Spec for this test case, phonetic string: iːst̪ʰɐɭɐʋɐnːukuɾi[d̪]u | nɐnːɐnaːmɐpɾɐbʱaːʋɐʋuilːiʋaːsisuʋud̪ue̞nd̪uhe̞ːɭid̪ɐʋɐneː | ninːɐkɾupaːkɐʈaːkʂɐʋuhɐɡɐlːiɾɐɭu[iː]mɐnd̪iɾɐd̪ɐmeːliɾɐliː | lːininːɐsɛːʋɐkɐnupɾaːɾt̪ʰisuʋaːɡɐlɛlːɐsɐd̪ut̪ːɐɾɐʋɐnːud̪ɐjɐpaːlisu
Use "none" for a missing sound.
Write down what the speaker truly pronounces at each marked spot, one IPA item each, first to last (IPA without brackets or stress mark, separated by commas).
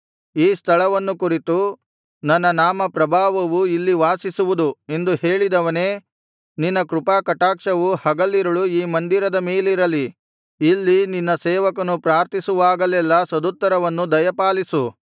t̪, iː